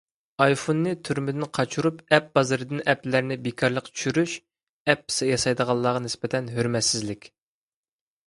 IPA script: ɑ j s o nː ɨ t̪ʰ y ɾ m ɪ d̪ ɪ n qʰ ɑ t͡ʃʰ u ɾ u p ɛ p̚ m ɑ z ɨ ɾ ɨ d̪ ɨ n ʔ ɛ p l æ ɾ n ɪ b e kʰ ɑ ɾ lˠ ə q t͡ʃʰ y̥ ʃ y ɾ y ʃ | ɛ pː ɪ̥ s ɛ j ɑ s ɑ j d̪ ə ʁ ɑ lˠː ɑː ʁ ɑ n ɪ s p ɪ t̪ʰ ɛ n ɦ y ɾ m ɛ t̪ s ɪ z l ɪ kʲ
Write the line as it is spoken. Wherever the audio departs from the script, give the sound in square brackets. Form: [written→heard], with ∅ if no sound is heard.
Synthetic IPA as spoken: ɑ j [s→f] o nː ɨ t̪ʰ y ɾ m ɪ d̪ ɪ n qʰ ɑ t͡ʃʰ u ɾ u p ɛ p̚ [m→b] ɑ z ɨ ɾ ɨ d̪ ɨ n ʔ ɛ p l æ ɾ n ɪ b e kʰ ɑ ɾ lˠ ə q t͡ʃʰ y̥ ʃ y ɾ y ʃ | ɛ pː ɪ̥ s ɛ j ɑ s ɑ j d̪ ə ʁ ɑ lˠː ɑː ʁ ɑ n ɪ s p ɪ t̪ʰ ɛ n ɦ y ɾ m ɛ t̪ s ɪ z l ɪ kʲ